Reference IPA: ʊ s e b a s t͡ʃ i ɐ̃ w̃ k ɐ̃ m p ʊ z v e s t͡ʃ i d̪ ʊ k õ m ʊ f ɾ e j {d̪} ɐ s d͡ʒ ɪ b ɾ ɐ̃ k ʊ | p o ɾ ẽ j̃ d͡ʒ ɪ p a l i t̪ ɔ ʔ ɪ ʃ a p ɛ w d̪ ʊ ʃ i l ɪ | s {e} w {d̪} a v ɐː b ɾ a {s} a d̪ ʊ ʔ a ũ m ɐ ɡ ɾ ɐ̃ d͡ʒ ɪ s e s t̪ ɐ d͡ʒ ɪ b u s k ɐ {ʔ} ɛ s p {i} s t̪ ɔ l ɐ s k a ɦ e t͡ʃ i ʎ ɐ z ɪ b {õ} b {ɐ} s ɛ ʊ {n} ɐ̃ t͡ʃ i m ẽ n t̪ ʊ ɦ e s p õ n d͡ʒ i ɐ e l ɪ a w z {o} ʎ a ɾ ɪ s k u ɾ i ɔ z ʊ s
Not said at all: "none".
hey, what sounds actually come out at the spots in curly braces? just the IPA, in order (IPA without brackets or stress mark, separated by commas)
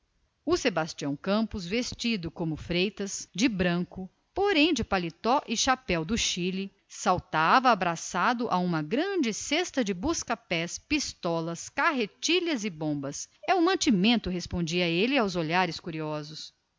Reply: t̪, a, t̪, s, p, i, õ, ɐ, m, o